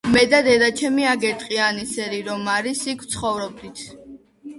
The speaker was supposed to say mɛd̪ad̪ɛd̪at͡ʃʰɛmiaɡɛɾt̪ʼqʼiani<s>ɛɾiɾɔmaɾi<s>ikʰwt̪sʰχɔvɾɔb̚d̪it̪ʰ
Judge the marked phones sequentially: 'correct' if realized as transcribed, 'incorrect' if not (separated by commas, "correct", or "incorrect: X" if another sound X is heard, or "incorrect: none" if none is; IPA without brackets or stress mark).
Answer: correct, correct